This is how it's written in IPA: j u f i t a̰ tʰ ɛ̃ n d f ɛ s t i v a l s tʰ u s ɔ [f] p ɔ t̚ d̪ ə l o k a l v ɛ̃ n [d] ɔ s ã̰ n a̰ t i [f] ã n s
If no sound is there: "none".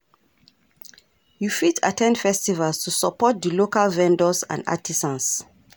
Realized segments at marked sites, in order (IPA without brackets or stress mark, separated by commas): none, d, s